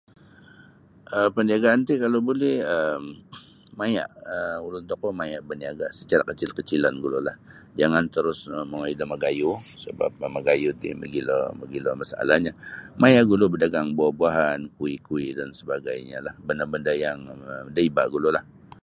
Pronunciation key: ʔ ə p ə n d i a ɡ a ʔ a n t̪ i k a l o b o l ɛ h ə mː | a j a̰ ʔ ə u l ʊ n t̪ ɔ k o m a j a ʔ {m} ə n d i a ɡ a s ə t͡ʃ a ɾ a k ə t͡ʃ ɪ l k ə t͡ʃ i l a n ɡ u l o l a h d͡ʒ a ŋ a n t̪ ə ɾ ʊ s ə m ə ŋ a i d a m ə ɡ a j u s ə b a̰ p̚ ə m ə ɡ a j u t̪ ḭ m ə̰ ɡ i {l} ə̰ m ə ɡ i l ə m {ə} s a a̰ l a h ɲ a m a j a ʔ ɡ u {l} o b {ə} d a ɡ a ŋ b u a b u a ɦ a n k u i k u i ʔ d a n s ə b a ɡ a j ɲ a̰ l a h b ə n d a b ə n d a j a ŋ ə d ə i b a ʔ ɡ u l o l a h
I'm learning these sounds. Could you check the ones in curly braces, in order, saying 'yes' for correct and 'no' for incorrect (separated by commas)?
no, yes, no, yes, yes